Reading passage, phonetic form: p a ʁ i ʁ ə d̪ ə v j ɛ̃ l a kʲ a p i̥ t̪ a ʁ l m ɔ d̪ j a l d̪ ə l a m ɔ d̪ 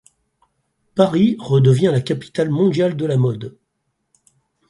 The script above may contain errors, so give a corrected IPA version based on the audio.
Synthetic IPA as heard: p a ʁ i ʁ ə d̪ ə v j ɛ̃ l a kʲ a p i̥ t̪ a l m ɔ̃ d̪ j a l d̪ ə l a m ɔ d̪